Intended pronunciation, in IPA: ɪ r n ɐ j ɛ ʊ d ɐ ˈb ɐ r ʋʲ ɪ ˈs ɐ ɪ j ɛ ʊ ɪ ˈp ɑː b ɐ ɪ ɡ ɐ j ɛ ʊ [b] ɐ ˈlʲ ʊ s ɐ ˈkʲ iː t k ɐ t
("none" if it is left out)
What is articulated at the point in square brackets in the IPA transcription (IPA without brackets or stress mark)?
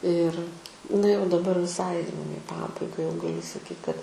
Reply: ɡ